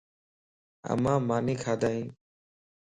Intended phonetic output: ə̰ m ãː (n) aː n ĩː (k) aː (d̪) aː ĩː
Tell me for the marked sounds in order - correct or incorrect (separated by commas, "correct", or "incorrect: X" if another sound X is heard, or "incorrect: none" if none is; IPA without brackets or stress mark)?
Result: incorrect: m, incorrect: kʰ, correct